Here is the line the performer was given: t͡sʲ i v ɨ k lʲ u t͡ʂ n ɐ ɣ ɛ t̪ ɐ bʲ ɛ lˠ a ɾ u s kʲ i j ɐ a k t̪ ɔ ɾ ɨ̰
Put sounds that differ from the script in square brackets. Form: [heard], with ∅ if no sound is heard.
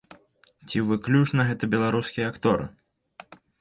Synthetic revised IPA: t͡sʲ i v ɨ k lʲ u t͡ʂ n ɐ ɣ ɛ t̪ ɐ bʲ ɛ lˠ a ɾ u s kʲ i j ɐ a k t̪ ɔ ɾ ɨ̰

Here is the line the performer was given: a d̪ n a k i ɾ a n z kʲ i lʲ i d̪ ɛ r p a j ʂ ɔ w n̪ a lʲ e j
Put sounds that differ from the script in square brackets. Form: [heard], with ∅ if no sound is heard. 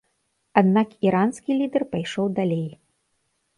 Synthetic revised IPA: a d̪ n a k i ɾ a n [s] kʲ i lʲ i d̪ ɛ r p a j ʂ ɔ w [d̪] a lʲ e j

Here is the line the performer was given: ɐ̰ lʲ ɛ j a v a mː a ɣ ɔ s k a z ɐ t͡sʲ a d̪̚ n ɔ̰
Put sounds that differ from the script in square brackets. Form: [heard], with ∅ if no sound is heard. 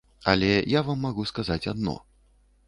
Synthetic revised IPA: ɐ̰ lʲ ɛ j a v a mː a ɣ [u] s k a z [a] t͡sʲ a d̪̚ n ɔ̰

